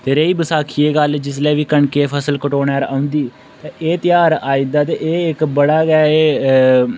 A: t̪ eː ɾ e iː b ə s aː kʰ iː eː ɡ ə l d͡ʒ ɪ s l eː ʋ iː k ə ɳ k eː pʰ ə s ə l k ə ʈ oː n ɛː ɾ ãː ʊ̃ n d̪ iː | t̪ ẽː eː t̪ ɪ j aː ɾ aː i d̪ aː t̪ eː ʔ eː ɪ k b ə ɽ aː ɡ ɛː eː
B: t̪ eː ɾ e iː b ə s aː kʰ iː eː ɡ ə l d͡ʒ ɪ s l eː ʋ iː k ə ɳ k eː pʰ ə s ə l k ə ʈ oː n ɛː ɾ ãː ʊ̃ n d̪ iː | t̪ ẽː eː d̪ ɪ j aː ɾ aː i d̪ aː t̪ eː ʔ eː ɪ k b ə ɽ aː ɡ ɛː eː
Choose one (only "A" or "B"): A